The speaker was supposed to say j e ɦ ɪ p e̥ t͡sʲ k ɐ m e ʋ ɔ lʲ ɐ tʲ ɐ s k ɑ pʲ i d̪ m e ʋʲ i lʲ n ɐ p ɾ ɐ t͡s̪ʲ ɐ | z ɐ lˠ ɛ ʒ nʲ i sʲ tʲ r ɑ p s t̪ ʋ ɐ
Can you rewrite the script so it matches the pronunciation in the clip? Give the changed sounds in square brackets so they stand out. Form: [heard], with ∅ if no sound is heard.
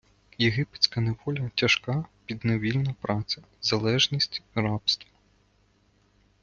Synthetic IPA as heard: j e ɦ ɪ p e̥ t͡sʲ k ɐ [n] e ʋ ɔ lʲ ɐ tʲ ɐ [ʃ] k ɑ pʲ i d̪ [n] e ʋʲ i lʲ n ɐ p ɾ [ɑ] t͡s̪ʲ ɐ | z ɐ lˠ ɛ ʒ nʲ i sʲ tʲ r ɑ p s t̪ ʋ ɐ